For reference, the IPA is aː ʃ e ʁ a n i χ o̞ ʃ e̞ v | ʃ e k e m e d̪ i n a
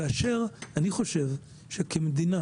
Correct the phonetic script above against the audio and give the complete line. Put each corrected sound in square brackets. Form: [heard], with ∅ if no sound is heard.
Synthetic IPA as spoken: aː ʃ e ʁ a n i χ o̞ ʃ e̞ v | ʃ e k e m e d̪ i n a